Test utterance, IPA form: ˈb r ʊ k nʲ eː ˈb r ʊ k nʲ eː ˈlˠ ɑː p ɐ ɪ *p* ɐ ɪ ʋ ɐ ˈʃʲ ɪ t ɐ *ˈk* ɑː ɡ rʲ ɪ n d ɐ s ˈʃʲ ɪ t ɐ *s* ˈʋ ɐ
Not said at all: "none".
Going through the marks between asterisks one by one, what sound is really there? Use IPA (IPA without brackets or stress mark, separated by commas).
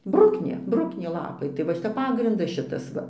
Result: t, p, s